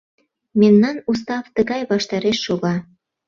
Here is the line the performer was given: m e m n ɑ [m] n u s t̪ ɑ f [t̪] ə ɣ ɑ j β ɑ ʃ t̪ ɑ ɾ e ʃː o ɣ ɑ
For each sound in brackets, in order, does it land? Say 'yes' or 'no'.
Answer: no, yes

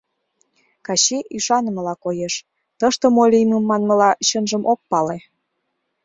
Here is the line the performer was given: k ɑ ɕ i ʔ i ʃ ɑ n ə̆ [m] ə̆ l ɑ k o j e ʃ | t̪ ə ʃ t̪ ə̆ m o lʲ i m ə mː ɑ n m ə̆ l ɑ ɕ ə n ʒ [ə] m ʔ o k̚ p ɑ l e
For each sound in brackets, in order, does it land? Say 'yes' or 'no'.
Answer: yes, yes

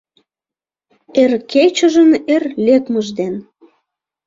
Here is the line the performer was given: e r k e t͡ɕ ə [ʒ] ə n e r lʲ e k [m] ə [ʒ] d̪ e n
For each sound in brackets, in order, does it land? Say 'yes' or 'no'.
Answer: yes, yes, yes

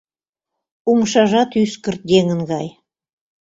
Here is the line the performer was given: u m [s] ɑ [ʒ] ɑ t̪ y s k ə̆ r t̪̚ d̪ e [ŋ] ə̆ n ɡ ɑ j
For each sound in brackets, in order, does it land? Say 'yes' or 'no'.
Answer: no, yes, yes

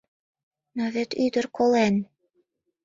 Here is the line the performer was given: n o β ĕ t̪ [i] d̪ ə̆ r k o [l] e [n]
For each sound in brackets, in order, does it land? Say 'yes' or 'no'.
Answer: no, yes, yes

